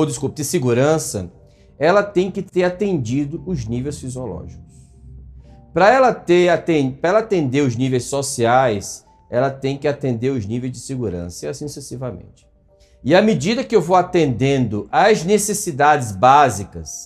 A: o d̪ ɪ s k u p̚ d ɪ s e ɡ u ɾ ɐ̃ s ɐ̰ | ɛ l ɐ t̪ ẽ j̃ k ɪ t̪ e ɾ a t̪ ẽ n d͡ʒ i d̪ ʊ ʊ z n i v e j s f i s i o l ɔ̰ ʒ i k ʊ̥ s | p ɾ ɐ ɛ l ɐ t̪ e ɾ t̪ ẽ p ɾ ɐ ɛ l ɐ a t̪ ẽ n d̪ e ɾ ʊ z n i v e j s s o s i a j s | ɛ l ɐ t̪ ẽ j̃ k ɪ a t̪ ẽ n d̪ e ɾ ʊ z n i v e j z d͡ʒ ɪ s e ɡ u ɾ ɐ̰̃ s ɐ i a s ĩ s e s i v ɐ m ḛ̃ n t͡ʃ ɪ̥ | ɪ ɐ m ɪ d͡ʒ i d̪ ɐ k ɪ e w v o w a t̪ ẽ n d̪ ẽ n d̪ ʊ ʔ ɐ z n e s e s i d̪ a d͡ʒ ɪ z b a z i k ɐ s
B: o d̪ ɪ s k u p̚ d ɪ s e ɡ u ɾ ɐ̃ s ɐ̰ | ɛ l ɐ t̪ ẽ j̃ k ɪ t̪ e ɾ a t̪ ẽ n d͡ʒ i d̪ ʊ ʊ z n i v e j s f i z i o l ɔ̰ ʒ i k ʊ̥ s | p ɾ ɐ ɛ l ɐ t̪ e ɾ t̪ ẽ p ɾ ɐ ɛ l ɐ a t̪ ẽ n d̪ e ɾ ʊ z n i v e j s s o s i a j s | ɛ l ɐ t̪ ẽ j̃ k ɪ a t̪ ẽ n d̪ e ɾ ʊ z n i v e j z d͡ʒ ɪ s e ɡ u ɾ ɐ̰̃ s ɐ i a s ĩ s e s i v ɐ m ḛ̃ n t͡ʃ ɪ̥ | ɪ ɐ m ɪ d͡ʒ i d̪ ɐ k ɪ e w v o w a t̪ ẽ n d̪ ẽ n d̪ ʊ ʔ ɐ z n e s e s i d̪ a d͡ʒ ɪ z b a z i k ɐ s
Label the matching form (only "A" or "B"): B